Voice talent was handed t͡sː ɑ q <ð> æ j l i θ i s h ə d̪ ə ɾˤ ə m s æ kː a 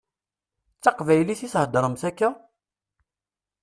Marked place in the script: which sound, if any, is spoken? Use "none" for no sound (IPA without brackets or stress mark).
v